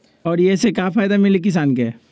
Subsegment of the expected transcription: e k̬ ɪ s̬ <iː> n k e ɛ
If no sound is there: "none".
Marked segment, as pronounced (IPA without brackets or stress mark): aː